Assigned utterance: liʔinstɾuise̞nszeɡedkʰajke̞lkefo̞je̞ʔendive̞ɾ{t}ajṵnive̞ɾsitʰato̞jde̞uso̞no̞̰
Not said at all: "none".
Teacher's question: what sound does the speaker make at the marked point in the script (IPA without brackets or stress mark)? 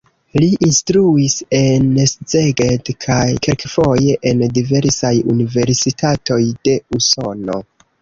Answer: s